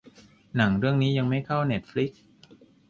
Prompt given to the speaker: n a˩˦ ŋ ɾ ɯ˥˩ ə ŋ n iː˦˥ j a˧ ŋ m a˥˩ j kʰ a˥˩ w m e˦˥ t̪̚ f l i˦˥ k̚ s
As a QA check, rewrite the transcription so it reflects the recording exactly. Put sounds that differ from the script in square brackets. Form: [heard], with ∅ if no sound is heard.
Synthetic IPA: n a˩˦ ŋ ɾ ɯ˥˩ ə ŋ n iː˦˥ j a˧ ŋ m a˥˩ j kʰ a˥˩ w [n] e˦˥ t̪̚ f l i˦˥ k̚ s